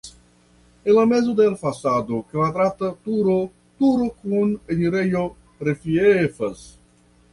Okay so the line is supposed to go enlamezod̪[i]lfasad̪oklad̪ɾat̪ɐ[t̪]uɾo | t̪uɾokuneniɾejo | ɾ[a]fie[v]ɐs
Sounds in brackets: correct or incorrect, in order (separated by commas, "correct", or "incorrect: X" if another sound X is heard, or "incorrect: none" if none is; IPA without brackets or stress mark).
incorrect: e, correct, incorrect: e, incorrect: f